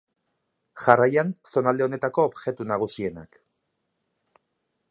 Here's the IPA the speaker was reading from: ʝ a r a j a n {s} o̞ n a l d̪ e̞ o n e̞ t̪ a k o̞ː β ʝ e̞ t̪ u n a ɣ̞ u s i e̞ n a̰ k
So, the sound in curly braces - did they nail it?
yes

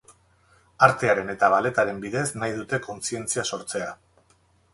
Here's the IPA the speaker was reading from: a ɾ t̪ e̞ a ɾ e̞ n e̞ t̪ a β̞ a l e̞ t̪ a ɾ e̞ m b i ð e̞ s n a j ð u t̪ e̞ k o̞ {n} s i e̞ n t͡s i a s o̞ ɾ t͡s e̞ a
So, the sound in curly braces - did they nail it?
yes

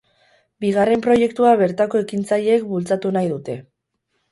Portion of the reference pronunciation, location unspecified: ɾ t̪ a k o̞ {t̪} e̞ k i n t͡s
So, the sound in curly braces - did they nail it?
no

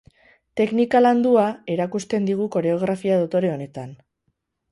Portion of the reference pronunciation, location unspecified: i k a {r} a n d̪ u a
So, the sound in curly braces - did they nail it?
no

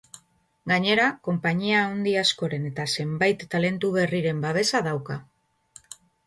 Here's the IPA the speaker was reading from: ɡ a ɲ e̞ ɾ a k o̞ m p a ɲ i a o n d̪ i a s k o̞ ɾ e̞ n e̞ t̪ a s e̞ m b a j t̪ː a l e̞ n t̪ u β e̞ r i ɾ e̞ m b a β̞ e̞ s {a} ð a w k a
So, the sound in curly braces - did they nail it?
yes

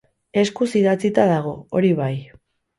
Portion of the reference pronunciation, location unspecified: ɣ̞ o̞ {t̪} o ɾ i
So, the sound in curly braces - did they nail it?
no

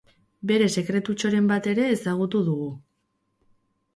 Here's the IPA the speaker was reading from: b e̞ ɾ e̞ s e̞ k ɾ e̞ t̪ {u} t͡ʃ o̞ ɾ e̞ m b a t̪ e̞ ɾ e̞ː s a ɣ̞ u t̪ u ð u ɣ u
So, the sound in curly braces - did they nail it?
yes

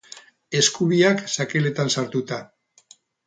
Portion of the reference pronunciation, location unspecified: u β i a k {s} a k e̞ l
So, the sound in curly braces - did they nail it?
yes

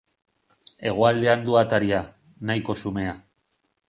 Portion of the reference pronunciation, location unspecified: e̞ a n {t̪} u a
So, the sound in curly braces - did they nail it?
no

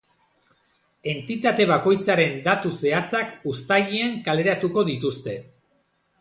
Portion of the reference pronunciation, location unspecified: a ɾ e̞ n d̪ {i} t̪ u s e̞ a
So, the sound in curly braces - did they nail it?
no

